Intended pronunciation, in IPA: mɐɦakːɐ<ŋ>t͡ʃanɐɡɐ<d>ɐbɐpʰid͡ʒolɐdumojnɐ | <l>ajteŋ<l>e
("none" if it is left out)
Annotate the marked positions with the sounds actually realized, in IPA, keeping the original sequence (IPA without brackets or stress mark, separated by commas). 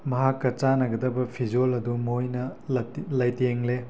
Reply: none, d, l, l